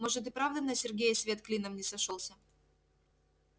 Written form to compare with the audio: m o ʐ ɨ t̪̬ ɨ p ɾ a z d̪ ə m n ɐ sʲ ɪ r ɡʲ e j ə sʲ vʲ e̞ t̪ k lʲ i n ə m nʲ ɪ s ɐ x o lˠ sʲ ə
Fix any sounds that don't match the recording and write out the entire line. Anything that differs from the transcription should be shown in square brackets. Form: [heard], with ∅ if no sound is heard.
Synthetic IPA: m o ʐ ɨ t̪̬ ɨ p ɾ a [v] d̪ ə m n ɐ sʲ ɪ r ɡʲ e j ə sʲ vʲ e̞ t̪ k lʲ i n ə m nʲ ɪ s ɐ [ʂ] o lˠ sʲ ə